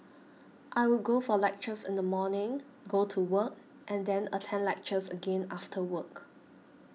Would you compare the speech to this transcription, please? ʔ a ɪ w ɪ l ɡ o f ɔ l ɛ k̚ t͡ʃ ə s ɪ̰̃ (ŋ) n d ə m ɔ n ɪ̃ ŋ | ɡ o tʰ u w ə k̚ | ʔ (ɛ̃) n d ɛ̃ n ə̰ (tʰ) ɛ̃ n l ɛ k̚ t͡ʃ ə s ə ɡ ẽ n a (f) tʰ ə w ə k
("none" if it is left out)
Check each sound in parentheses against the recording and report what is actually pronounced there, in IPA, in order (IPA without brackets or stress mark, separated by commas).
none, ɛ̃, tʰ, f